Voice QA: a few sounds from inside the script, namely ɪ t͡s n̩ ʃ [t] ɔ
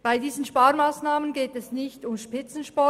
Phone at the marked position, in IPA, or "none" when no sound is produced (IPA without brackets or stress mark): p